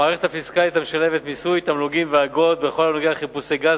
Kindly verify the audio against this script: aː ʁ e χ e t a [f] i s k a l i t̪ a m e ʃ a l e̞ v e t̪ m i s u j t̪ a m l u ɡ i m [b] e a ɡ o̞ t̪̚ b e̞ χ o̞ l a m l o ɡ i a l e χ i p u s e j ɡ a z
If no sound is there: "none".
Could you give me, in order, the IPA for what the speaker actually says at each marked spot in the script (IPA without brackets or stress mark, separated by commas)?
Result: f, v